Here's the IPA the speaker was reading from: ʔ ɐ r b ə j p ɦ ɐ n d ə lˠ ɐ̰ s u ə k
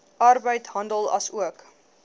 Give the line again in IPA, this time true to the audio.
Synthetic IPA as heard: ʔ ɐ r b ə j t ɦ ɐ n d ə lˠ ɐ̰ s u ə k